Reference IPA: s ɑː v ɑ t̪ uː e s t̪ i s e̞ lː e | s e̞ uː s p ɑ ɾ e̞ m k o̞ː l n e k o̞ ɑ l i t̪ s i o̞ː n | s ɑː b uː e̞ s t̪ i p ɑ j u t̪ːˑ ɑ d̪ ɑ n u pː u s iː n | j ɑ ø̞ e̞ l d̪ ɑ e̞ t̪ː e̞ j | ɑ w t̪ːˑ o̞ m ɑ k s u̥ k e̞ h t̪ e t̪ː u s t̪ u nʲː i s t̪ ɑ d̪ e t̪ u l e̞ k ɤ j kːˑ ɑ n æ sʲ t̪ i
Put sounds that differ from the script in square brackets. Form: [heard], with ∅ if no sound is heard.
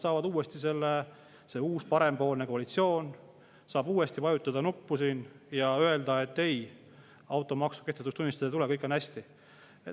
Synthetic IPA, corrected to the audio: s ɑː v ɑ [d̪] uː e s t̪ i s e̞ lː e | s e̞ uː s p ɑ ɾ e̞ m [p] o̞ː l n e k o̞ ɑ l i t̪ s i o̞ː n | s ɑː b uː e̞ s t̪ i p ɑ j u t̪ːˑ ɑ d̪ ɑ n u pː u s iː n | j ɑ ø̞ e̞ l d̪ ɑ e̞ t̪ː e̞ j | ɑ w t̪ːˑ o̞ m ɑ k s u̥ k e̞ h t̪ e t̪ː u s t̪ u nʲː i s t̪ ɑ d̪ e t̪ u l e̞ k ɤ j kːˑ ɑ n æ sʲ t̪ i